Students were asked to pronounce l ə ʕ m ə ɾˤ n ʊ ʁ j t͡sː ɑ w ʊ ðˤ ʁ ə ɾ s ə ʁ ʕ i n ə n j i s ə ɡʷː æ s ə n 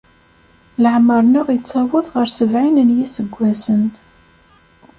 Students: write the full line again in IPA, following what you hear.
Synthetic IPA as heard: l ə ʕ m ə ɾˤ n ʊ ʁ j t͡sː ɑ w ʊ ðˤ ʁ ə ɾ s ə v ʕ i n ə n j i s ə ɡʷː æ s ə n